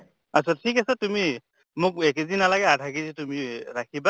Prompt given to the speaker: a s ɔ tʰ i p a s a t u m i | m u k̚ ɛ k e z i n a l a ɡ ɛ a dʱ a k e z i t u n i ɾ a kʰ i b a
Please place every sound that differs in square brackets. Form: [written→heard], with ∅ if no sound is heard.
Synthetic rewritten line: a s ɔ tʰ i [p→k] a s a t u m i | m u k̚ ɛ k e z i n a l a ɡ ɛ a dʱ a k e z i t u [n→m] i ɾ a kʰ i b a

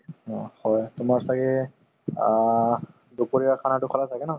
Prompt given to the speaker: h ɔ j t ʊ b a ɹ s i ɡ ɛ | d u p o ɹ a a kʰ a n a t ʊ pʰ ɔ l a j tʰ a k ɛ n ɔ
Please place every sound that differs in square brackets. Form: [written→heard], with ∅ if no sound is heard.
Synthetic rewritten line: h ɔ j t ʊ [b→m] a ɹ s [i→a] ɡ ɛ | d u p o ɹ [a→i] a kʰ a n a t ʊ [pʰ→kʰ] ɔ l a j tʰ a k ɛ n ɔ

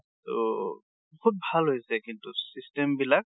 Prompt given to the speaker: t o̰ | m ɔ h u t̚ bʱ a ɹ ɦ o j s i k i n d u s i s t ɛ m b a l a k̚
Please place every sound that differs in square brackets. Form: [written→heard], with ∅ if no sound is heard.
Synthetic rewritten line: t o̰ | [m→b] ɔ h u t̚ bʱ a [ɹ→l] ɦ o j s [i→ɛ] k i n [d→t] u s i s t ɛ m b [a→i] l a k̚

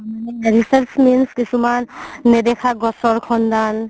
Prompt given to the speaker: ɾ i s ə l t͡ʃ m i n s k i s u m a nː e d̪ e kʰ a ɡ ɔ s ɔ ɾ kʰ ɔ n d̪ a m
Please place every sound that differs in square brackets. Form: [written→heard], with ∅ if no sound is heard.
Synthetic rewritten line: ɾ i s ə [l→ɾ] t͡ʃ m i n s k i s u m a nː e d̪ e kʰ a ɡ ɔ s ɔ ɾ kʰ ɔ n d̪ a [m→n]

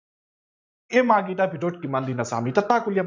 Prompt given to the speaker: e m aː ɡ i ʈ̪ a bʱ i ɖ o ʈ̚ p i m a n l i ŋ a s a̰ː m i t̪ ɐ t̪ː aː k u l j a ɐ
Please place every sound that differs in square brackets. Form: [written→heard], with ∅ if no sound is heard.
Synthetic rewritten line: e m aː ɡ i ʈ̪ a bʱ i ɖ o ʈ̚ [p→k] i m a n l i [ŋ→n] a s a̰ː m i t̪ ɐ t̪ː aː k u l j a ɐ

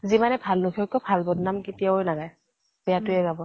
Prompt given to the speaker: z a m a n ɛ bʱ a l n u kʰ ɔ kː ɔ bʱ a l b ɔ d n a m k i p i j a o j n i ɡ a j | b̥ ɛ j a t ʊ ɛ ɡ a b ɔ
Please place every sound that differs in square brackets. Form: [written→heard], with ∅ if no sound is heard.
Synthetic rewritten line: z [a→i] m a n ɛ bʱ a l n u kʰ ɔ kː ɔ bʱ a l b ɔ d n a m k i [p→t] i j a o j n [i→a] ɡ a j | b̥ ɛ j a t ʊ ɛ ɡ a b ɔ

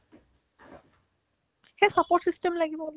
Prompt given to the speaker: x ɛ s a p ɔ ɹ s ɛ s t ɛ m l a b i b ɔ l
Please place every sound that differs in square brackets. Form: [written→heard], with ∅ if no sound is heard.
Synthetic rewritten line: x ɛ s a p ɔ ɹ s [ɛ→i] s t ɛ m l a [b→ɡ] i b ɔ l

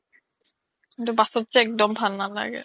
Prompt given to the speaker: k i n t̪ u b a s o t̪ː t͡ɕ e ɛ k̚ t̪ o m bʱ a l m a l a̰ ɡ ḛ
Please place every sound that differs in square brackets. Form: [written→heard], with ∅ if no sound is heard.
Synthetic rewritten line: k i n t̪ u b a s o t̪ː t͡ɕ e ɛ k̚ [t̪→d̪] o m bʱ a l [m→n] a l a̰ ɡ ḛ

